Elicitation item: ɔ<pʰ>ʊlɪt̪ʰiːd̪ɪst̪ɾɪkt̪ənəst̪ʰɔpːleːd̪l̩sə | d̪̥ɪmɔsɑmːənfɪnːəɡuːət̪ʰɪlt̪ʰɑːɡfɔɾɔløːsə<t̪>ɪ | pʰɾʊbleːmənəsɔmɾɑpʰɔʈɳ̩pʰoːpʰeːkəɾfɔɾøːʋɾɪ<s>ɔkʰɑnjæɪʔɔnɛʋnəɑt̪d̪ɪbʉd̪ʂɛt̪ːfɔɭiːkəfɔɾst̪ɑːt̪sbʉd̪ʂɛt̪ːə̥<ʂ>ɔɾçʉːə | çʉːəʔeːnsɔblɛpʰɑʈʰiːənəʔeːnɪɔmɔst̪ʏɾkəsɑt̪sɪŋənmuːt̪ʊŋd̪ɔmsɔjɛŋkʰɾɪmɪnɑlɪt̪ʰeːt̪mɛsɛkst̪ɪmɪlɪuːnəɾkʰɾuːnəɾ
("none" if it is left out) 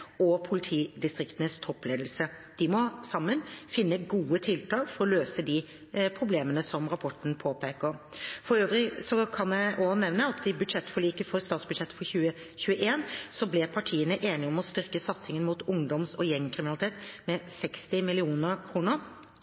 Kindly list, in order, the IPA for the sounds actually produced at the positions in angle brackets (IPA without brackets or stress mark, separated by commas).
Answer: pʰ, d̪, s, f